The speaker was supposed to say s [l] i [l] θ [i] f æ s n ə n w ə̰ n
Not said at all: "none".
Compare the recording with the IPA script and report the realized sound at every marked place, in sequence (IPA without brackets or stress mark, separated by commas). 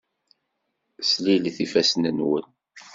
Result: l, l, i